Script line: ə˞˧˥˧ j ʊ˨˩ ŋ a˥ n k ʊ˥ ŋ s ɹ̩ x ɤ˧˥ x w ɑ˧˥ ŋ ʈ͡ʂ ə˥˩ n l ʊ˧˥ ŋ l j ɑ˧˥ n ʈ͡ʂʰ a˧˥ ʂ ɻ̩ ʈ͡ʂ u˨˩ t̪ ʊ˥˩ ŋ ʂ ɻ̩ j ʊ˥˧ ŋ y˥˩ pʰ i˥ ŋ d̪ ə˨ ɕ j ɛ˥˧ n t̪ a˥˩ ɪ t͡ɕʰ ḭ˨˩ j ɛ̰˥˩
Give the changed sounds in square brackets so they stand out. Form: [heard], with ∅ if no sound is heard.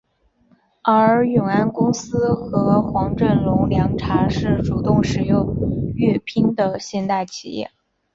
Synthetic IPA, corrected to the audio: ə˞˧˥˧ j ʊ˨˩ ŋ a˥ n k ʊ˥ ŋ s ɹ̩ x ɤ˧˥ x w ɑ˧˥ ŋ ʈ͡ʂ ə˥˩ n l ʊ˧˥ ŋ l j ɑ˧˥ [ŋ] ʈ͡ʂʰ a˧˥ ʂ ɻ̩ ʈ͡ʂ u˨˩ t̪ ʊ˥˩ ŋ ʂ ɻ̩ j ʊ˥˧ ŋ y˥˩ pʰ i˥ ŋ d̪ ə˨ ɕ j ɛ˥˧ n t̪ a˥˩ ɪ t͡ɕʰ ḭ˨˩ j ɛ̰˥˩